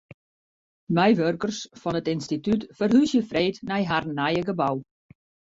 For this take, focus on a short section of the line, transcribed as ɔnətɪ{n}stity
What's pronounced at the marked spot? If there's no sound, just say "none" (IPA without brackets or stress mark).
n